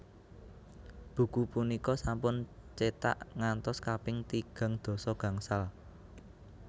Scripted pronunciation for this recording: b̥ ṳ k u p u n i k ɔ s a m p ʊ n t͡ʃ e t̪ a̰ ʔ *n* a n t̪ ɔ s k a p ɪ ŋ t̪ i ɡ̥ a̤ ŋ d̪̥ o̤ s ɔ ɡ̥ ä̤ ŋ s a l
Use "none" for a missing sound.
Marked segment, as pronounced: ŋ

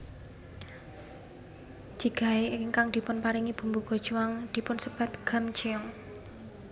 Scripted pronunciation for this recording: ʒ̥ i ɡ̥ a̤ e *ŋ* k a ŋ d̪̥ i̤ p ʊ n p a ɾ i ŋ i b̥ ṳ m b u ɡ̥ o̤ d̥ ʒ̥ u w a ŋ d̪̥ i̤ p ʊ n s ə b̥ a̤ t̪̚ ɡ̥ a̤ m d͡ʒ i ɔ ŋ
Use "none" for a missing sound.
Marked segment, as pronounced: ŋ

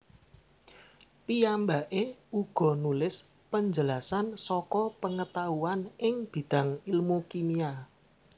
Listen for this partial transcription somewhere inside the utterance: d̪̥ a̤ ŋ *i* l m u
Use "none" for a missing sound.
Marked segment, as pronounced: i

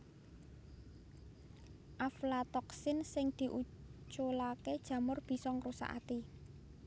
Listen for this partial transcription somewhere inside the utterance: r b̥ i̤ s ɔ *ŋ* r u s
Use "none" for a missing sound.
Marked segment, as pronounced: ŋ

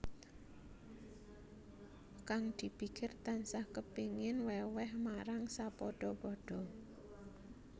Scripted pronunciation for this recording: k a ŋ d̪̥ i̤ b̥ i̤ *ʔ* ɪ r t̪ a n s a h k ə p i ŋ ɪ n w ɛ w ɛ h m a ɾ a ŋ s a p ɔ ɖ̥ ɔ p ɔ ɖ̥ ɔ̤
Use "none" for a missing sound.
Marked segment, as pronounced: k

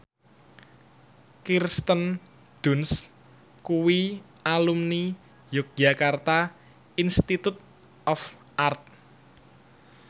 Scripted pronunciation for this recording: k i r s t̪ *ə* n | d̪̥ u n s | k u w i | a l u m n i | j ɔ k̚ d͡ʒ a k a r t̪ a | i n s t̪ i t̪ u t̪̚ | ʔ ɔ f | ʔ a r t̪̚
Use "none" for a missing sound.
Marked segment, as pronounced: ə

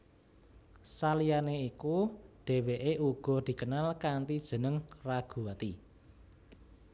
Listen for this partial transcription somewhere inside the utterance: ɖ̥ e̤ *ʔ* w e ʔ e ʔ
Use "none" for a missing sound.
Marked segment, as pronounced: none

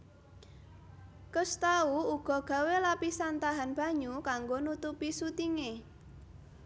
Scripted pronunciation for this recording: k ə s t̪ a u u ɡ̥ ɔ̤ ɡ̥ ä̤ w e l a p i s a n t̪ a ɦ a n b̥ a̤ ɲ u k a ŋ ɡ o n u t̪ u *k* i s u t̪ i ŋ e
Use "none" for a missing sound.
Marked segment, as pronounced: p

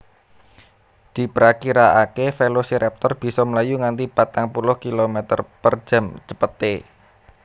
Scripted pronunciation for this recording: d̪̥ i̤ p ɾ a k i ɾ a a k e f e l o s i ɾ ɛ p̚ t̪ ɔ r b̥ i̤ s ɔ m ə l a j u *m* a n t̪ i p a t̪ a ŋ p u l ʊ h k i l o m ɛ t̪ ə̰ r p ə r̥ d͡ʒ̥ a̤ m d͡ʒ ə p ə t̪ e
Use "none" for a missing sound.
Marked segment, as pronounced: ŋ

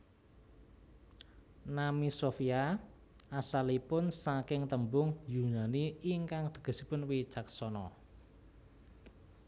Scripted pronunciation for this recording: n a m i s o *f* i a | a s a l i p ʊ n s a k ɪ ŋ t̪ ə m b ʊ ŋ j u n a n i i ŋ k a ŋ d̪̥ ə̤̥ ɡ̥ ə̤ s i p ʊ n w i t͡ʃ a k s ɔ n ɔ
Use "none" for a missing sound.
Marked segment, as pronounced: f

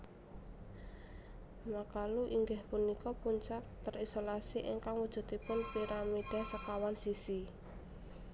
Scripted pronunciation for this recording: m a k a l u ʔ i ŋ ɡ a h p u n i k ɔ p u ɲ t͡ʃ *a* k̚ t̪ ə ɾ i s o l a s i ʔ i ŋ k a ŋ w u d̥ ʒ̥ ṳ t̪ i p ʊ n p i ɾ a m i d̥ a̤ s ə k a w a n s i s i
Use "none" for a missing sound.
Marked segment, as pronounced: a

